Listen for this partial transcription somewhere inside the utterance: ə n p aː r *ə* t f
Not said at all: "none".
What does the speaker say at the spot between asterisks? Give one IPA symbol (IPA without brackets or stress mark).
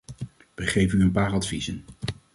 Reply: ɑ